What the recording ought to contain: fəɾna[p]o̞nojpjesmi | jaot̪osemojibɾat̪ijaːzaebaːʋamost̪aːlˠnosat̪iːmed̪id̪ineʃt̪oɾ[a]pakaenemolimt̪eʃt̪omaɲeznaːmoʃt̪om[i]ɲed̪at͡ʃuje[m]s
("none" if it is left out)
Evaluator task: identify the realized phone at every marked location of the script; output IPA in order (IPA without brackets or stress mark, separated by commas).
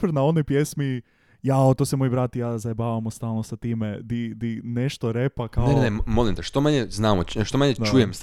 none, e, a, m